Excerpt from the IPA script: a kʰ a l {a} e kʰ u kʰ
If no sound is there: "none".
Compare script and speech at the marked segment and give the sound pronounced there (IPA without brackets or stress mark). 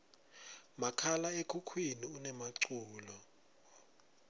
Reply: a